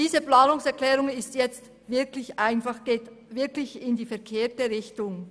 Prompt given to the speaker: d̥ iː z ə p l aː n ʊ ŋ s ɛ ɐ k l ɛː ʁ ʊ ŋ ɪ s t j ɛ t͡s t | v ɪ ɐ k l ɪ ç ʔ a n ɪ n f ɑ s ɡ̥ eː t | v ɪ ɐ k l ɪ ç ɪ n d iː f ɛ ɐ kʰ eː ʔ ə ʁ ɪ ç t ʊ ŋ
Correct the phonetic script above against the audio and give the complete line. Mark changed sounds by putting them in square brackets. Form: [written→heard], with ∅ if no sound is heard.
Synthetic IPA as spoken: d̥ iː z ə p l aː n ʊ ŋ s ɛ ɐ k l ɛː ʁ ʊ ŋ ɪ s t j ɛ t͡s t | v ɪ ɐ k l ɪ ç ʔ a [n→∅] ɪ n f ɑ [s→χ] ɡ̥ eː t | v ɪ ɐ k l ɪ ç ɪ n d iː f ɛ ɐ kʰ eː [ʔ→t] ə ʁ ɪ ç t ʊ ŋ